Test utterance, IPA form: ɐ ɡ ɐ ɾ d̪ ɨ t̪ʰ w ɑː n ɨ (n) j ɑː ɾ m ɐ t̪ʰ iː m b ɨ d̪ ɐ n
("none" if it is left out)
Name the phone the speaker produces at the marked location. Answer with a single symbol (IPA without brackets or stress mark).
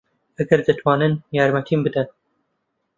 n